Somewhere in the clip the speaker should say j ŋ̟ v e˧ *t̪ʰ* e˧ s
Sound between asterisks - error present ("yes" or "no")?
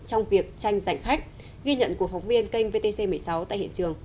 yes